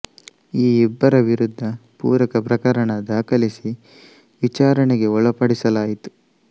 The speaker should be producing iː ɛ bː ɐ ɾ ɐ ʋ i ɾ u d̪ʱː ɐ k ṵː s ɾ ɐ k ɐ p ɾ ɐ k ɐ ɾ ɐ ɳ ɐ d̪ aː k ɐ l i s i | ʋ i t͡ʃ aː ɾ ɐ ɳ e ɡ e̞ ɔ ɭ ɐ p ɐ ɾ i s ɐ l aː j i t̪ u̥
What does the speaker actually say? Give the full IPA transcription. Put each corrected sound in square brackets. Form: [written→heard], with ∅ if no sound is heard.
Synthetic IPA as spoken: iː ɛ bː ɐ ɾ ɐ ʋ i ɾ u d̪ʱː ɐ [k→p] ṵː [s→∅] ɾ ɐ k ɐ p ɾ ɐ k ɐ ɾ ɐ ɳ ɐ d̪ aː k ɐ l i s i | ʋ i t͡ʃ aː ɾ ɐ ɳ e ɡ e̞ ɔ ɭ ɐ p ɐ [ɾ→ɽ] i s ɐ l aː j i t̪ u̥